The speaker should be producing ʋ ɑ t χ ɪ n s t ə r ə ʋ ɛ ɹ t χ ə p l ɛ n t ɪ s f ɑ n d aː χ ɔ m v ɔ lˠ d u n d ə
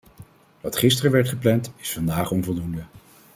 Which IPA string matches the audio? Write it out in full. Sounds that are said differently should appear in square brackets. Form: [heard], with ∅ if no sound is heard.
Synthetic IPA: ʋ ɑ t χ ɪ [∅] s t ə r ə ʋ ɛ ɹ t χ ə p l ɛ n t ɪ s f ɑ n d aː χ ɔ [n] v ɔ lˠ d u n d ə